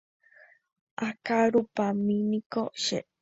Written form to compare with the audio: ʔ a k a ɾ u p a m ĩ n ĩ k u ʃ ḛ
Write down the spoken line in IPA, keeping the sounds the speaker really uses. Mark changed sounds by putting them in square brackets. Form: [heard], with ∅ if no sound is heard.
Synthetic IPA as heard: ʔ a k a ɾ u p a m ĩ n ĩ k [o] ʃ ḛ